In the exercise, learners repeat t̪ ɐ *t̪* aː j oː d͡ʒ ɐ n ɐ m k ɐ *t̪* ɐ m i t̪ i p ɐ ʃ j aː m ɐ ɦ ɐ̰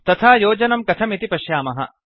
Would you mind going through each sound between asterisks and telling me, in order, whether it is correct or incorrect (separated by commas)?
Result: incorrect, incorrect